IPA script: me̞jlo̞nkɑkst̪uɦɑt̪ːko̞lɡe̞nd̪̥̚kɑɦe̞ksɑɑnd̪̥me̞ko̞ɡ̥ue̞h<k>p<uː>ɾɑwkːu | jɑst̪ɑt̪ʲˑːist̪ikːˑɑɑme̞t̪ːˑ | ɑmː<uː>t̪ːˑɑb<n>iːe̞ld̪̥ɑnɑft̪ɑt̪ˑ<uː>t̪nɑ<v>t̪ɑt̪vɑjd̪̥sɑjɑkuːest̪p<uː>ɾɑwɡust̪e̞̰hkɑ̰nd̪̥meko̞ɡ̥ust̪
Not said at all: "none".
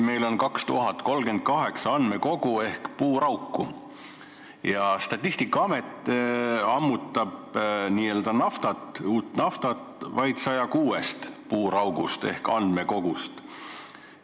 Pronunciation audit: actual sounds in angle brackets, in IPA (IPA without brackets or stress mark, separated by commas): k, uː, u, n, uː, f, uː